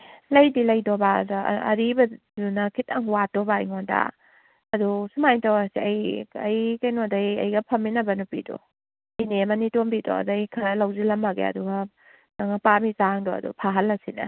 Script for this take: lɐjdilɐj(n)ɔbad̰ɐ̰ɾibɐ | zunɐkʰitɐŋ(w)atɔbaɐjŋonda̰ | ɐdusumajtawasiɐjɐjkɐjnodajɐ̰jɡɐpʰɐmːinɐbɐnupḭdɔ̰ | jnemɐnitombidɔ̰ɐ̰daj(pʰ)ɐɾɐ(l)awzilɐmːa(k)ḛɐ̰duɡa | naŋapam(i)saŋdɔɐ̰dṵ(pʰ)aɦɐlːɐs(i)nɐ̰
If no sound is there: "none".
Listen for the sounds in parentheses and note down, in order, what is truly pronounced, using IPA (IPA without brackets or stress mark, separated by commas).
d, w, kʰ, l, ɡ, i, pʰ, i